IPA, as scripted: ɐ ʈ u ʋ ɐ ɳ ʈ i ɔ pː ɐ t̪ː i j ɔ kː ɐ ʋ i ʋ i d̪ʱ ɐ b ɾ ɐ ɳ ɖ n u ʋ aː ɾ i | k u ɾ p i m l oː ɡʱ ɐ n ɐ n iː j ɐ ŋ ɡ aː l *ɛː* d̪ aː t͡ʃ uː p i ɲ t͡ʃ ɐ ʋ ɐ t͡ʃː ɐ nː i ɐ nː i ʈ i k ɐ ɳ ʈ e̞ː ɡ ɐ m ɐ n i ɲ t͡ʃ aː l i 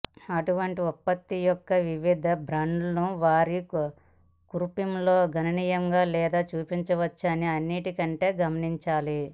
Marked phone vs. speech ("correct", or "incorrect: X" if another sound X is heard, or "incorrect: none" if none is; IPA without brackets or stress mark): correct